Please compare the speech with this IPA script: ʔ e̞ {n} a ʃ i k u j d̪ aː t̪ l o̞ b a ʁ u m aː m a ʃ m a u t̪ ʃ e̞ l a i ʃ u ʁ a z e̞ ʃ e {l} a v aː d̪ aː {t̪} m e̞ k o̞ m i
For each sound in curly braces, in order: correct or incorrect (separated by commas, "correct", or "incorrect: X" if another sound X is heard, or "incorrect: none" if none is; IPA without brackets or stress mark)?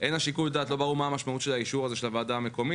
correct, correct, incorrect: none